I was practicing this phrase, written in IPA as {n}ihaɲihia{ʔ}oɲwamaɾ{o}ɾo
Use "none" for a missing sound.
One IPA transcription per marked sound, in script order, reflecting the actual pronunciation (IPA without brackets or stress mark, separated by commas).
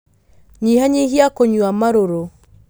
ɲ, k, o